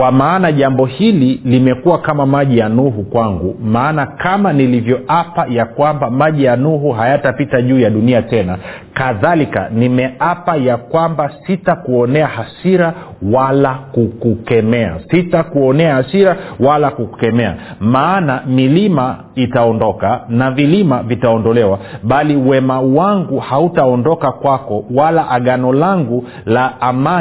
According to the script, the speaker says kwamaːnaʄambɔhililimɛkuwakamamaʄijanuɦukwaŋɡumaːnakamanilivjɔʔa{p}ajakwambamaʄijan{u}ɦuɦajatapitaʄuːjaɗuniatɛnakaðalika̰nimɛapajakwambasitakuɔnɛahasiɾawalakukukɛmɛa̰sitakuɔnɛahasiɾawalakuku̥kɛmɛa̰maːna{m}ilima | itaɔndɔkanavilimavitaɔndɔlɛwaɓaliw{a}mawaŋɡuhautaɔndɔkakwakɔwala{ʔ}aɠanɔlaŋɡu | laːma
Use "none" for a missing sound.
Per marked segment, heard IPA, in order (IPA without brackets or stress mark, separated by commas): p, u, m, ɛ, ʔ